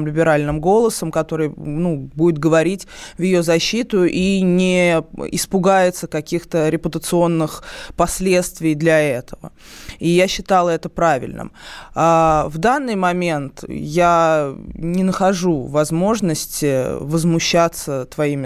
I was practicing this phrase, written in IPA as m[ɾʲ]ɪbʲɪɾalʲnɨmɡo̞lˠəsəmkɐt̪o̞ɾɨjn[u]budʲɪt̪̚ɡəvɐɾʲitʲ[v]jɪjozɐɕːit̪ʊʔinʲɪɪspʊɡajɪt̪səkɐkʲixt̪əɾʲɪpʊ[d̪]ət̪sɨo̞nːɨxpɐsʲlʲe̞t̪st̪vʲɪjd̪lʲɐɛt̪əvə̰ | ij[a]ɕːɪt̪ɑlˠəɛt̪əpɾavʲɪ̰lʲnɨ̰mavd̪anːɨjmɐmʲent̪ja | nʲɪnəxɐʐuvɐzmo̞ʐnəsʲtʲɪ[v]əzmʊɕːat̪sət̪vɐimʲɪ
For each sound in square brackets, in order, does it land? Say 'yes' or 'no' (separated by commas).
no, yes, yes, no, yes, yes